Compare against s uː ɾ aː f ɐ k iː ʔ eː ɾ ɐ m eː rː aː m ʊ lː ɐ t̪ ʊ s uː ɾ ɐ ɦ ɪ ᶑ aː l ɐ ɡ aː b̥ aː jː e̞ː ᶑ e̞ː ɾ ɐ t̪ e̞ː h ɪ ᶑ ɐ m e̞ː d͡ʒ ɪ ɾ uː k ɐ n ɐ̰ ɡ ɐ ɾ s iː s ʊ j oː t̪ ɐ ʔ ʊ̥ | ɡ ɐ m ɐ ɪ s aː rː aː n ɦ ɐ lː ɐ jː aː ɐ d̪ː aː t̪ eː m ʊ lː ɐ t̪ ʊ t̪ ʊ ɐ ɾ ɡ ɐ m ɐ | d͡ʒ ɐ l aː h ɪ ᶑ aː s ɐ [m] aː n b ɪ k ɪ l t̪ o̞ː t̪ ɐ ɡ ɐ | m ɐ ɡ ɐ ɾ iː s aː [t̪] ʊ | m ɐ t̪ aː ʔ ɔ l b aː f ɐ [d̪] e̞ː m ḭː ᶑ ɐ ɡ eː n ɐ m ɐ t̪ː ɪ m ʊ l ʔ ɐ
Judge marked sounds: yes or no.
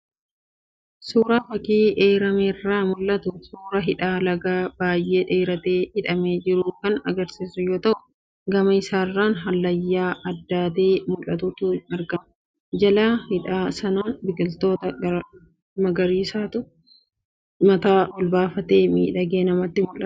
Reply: no, yes, no

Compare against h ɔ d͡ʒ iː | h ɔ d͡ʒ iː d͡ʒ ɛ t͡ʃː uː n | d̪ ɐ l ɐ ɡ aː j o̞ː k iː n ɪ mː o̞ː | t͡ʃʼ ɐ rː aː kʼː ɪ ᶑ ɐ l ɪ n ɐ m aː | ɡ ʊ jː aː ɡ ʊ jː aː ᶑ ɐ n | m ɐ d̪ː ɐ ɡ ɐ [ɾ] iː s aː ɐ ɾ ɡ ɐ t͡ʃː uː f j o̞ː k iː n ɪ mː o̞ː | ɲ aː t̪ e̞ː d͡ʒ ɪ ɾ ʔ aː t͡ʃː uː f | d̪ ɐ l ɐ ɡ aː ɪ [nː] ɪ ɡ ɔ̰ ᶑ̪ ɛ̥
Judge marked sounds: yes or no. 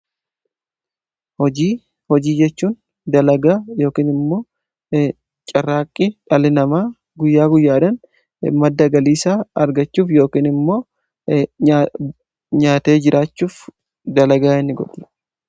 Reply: no, yes

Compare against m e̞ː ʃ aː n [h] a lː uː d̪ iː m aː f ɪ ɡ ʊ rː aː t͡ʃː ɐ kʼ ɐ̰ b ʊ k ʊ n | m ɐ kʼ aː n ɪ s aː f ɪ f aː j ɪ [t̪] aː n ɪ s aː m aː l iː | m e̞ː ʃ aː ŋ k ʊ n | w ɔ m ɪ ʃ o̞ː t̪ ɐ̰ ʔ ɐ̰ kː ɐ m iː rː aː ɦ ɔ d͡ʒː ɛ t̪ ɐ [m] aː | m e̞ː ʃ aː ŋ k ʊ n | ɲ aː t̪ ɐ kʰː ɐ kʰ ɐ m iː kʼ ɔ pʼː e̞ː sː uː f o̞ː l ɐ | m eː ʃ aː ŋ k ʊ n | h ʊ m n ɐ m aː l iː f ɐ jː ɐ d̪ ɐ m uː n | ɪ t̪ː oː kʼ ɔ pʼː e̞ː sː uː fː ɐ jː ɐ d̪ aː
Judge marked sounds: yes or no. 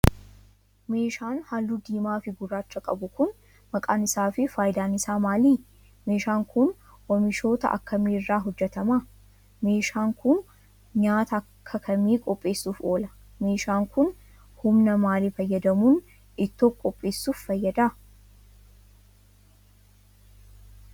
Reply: yes, no, yes

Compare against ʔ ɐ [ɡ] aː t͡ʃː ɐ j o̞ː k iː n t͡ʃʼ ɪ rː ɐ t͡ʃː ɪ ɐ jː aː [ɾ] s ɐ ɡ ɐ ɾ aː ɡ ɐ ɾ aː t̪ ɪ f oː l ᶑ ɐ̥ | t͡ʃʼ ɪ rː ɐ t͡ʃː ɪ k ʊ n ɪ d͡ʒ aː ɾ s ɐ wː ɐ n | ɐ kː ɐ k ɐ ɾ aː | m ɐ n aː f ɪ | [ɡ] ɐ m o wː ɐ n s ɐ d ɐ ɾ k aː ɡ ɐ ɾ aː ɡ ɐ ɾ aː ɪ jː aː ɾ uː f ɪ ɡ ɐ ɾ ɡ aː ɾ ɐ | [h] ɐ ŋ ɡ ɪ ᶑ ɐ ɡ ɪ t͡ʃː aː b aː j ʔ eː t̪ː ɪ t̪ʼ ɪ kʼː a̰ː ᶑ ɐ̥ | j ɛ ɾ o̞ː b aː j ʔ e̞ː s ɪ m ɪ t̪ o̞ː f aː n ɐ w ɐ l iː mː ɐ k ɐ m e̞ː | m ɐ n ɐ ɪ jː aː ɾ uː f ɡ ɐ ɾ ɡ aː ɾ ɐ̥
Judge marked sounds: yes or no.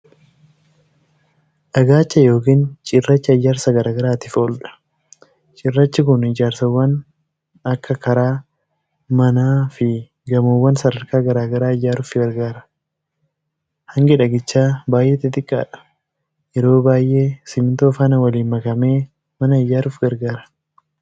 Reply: yes, yes, yes, yes

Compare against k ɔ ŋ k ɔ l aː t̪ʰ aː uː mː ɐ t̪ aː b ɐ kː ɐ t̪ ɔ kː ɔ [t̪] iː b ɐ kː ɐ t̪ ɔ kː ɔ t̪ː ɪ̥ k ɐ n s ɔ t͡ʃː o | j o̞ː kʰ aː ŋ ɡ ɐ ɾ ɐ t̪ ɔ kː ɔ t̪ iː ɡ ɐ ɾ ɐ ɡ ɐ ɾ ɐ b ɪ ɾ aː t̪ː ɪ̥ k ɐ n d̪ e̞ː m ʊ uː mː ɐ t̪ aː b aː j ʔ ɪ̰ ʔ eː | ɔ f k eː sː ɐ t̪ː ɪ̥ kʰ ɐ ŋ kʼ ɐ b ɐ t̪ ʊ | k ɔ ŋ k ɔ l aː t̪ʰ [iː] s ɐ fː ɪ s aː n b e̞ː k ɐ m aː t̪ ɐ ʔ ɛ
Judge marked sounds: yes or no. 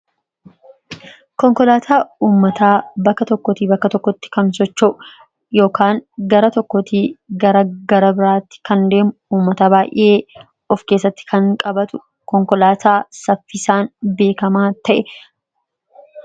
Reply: yes, no

